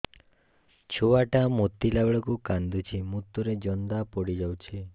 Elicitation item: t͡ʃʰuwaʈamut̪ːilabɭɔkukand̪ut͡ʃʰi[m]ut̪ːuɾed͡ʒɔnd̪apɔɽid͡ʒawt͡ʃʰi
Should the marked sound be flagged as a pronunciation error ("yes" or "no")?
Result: no